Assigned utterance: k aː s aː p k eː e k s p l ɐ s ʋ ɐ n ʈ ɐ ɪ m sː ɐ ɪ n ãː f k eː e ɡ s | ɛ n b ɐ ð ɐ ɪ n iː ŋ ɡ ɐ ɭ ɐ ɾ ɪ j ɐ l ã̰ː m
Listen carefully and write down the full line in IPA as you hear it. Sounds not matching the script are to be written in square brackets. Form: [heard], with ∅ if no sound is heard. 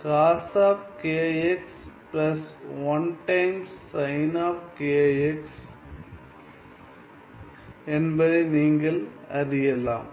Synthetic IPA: k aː s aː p k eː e k s p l ɐ s ʋ ɐ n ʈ ɐ ɪ m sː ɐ ɪ n [aː] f k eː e [k] s | ɛ n b ɐ ð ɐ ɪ n iː ŋ ɡ ɐ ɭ ɐ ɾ ɪ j ɐ l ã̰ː m